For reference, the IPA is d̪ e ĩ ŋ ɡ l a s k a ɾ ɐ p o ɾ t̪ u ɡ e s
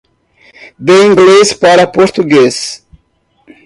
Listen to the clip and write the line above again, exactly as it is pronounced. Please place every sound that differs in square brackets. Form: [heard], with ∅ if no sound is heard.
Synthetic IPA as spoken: d̪ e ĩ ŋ ɡ l [e] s [p] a ɾ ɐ p o ɾ t̪ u ɡ e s